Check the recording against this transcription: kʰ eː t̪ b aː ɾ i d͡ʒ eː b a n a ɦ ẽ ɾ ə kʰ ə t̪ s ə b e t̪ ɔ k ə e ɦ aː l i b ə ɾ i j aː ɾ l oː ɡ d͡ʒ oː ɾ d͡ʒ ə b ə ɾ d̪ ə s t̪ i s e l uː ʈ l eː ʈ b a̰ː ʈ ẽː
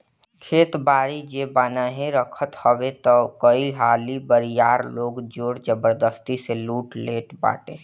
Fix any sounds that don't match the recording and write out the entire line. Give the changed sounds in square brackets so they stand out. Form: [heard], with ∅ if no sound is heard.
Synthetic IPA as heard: kʰ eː t̪ b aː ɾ i d͡ʒ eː b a n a ɦ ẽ ɾ ə kʰ ə t̪ [h] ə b e t̪ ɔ k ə [i] ɦ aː l i b ə ɾ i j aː ɾ l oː ɡ d͡ʒ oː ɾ d͡ʒ ə b ə ɾ d̪ ə s t̪ i s e l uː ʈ l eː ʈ b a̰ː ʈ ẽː

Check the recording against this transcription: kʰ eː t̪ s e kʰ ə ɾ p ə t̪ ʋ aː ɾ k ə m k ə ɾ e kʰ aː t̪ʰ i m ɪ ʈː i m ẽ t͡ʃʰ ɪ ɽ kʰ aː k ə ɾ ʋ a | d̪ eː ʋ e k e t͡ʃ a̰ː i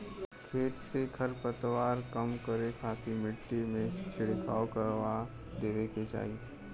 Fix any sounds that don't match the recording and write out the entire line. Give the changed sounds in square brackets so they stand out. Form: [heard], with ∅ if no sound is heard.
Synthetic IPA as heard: kʰ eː t̪ s e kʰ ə ɾ p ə t̪ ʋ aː ɾ k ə m k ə ɾ e kʰ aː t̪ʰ i m ɪ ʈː i m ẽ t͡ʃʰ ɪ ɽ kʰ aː k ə ɾ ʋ a | d̪ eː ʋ e k e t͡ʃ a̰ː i

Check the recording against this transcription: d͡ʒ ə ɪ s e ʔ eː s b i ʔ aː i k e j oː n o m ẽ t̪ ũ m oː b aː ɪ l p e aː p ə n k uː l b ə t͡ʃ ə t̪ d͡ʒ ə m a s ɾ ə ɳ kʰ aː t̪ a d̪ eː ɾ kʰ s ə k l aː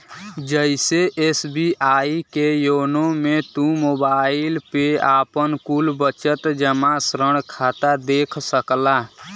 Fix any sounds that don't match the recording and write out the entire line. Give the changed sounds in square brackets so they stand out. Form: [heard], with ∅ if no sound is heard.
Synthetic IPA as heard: d͡ʒ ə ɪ s e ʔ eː s b i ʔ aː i k e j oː n o m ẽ t̪ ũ m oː b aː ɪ l p e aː p ə n k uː l b ə t͡ʃ ə t̪ d͡ʒ ə m a s ɾ ə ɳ kʰ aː t̪ a d̪ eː [∅] kʰ s ə k l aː

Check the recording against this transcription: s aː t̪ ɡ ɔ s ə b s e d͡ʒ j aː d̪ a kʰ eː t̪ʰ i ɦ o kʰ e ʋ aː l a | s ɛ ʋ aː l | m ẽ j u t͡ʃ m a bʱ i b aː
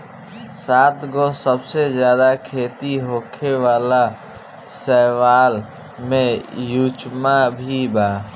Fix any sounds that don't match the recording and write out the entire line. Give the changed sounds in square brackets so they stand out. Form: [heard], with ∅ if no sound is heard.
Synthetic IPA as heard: s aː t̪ ɡ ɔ s ə b s e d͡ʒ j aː d̪ a kʰ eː [t̪] i ɦ o kʰ e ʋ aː l a | s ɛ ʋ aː l | m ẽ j u t͡ʃ m a bʱ i b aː

